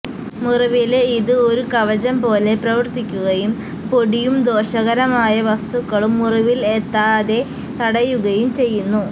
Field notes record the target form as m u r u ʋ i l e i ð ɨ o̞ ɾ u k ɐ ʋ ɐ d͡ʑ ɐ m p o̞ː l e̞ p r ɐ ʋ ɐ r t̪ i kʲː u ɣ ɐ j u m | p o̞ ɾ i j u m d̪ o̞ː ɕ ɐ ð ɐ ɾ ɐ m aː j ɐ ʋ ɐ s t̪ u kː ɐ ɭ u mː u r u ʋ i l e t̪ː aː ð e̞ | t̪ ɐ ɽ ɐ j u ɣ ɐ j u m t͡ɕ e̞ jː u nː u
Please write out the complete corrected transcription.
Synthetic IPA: m u r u ʋ i l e i ð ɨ o̞ ɾ u k ɐ ʋ ɐ d͡ʑ ɐ m p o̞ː l e̞ p r ɐ ʋ ɐ r t̪ i kʲː u ɣ ɐ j u m | p o̞ ɽ i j u m d̪ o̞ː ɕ ɐ ɣ ɐ ɾ ɐ m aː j ɐ ʋ ɐ s t̪ u kː ɐ ɭ u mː u r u ʋ i l e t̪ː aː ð e̞ | t̪ ɐ ɽ ɐ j u ɣ ɐ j u m t͡ɕ e̞ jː u nː u